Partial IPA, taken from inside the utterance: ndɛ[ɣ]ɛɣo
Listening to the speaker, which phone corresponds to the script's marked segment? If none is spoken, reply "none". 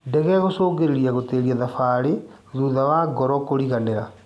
ɣ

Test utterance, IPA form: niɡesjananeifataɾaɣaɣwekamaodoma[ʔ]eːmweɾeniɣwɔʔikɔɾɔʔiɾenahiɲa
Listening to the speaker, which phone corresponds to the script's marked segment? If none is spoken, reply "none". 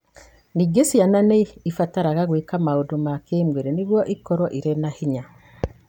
k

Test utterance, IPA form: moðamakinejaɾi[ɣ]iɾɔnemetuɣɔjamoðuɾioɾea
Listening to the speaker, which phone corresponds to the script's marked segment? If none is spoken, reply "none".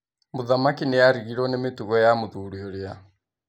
ɣ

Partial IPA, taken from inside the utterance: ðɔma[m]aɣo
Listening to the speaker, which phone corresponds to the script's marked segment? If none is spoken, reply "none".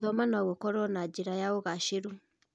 n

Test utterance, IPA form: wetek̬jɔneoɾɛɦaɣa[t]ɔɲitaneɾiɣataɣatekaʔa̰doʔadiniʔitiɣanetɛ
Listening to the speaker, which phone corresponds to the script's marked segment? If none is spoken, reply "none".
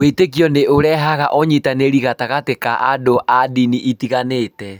ʔ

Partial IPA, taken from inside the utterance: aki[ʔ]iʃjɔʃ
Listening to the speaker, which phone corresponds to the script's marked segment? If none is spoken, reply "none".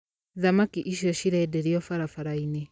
ʔ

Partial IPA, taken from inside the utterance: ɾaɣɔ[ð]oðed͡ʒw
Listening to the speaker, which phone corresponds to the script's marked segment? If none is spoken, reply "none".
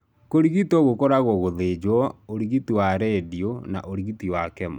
ɣ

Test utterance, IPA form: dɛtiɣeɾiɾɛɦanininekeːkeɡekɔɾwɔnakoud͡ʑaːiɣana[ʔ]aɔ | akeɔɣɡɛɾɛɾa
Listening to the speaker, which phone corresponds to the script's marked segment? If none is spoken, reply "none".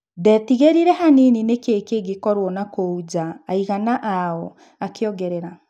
ʔ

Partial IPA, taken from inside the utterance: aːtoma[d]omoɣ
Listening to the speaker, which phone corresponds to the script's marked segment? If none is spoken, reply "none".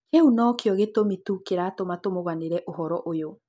t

